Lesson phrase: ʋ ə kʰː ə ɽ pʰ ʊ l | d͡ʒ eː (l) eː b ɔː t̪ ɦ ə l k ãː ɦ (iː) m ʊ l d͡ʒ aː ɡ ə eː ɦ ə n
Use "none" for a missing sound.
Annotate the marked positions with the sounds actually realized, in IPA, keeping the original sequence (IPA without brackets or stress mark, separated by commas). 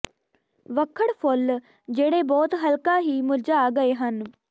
ɽ, iː